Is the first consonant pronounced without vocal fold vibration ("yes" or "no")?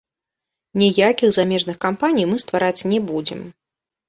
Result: no